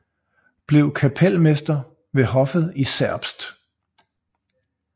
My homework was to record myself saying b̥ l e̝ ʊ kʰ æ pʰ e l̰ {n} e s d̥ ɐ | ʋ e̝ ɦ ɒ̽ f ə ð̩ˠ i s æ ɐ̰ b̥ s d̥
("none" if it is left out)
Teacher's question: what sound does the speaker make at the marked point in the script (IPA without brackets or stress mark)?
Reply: m